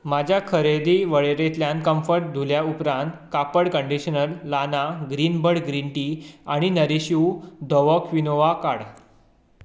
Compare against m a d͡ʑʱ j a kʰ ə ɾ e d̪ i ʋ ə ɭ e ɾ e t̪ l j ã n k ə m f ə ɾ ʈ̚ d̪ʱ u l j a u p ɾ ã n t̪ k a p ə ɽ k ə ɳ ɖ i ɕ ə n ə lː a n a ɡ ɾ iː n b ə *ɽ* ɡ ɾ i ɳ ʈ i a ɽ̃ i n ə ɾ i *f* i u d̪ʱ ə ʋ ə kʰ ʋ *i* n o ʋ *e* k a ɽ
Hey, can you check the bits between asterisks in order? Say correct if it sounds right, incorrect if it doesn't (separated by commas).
correct, incorrect, correct, incorrect